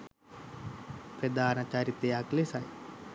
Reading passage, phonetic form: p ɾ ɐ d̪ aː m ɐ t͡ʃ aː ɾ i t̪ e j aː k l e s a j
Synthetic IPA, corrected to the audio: p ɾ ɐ d̪ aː n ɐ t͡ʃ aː ɾ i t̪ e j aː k l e s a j